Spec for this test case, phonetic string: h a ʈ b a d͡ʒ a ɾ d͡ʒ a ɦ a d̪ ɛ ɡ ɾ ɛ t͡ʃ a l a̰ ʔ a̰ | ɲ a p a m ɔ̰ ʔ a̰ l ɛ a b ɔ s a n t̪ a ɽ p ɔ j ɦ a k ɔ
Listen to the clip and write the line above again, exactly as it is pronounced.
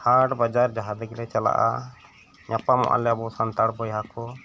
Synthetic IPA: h a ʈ b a d͡ʒ a ɾ d͡ʒ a ɦ a d̪ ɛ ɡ l ɛ t͡ʃ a l a̰ ʔ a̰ | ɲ a p a m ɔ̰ ʔ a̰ l ɛ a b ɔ s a n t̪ a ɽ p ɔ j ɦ a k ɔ

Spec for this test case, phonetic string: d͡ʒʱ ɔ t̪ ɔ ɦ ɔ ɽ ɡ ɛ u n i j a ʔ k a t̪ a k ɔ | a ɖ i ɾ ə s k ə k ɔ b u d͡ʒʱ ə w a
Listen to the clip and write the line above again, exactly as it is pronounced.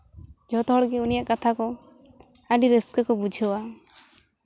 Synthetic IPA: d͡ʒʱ ɔ t̪ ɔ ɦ ɔ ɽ ɡ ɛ u n i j a ʔ k a t̪ʰ a k ɔ | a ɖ i ɾ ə s k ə k ɔ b u d͡ʒʱ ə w a

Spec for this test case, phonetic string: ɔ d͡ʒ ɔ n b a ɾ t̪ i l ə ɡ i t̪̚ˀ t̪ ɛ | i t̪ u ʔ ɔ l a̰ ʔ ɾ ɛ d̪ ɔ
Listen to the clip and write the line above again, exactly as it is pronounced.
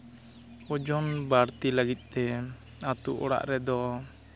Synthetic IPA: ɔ d͡ʒ ɔ n b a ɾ t̪ i l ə ɡ i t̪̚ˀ t̪ ɛ | a t̪ u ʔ ɔ ɽ a̰ ʔ ɾ ɛ d̪ ɔ

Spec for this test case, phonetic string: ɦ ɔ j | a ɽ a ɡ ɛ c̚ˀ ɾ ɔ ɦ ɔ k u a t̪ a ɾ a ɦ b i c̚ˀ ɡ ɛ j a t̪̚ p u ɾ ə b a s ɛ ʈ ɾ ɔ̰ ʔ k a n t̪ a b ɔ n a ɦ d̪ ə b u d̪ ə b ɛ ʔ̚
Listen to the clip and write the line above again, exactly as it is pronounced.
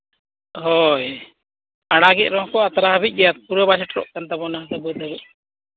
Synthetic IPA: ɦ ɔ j | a ɽ a ɡ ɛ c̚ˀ ɾ ɔ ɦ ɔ k ɔ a t̪ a ɾ a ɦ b i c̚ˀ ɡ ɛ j a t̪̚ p u ɾ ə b a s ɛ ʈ ɾ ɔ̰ ʔ k a n t̪ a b ɔ n a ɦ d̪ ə b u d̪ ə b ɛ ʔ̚

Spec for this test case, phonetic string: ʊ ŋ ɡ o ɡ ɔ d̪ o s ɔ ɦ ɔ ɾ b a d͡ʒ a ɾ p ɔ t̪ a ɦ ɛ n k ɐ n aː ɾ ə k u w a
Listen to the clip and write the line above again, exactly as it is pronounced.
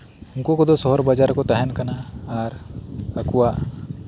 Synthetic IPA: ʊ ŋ k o k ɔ d̪ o s ɔ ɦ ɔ ɾ b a d͡ʒ a ɾ k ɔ t̪ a ɦ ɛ n k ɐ n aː ɾ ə k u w a

